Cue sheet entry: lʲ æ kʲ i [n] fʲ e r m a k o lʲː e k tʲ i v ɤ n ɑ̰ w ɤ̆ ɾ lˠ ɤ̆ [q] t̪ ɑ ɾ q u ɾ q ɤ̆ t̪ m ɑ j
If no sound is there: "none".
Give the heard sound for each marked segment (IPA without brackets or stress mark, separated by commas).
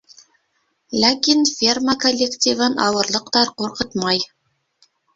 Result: n, q